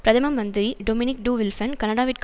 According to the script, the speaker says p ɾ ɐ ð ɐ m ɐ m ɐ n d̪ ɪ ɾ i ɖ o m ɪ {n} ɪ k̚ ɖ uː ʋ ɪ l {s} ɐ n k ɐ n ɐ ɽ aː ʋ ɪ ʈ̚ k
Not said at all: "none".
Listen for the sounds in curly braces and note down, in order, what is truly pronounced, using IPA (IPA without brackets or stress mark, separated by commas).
n, f